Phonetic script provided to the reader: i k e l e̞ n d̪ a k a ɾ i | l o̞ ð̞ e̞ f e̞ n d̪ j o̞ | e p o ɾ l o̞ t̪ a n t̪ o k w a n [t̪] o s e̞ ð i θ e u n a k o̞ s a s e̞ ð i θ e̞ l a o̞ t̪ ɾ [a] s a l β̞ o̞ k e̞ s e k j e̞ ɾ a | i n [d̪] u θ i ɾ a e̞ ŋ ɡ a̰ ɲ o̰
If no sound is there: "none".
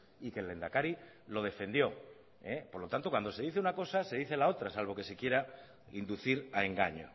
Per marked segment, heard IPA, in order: d̪, a, d̪

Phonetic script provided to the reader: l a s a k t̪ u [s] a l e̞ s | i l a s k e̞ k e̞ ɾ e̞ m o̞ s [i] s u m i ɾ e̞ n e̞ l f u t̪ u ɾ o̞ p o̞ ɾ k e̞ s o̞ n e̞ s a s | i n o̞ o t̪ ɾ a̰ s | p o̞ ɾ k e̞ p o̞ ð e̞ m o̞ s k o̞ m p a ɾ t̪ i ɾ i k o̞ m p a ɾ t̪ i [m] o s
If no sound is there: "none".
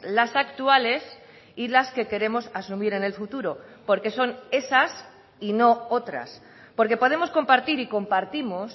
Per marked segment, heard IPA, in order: none, a, m

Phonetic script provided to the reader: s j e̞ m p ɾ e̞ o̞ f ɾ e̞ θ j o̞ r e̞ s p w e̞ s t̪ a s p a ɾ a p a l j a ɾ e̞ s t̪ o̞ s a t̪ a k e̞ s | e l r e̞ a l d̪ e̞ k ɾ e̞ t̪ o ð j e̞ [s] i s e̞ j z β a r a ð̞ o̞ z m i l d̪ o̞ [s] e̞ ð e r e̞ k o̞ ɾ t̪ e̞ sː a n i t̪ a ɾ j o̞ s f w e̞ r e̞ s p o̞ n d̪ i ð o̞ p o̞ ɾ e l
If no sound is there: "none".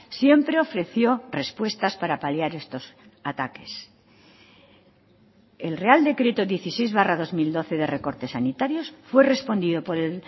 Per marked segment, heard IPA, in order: θ, θ

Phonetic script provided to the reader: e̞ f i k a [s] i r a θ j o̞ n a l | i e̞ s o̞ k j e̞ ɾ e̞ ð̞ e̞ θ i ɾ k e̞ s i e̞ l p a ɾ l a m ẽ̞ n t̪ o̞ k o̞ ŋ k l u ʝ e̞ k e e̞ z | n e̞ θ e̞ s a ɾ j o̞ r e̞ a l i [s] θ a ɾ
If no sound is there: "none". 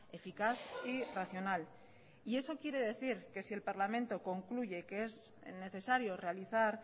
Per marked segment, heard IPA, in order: θ, none

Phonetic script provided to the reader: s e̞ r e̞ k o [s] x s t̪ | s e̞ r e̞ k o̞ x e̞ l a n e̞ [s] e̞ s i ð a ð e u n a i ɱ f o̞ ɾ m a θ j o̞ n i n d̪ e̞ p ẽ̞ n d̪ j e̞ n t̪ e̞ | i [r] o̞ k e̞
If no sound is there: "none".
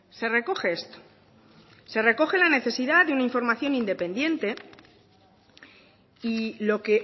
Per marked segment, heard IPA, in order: none, θ, l

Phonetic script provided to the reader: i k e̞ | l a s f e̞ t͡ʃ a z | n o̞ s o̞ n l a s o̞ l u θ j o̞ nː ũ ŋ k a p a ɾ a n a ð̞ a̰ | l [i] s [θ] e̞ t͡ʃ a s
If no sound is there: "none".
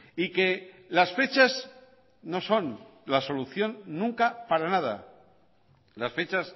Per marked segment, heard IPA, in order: a, f

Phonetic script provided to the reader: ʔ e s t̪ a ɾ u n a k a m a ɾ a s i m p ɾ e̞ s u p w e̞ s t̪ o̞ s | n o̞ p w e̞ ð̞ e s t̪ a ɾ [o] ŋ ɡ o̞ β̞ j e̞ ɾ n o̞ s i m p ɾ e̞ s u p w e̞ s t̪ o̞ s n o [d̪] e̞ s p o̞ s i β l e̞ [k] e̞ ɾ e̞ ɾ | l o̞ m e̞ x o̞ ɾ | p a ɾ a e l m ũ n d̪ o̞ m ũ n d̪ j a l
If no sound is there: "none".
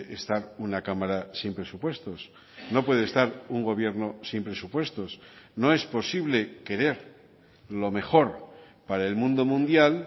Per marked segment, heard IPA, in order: u, none, k

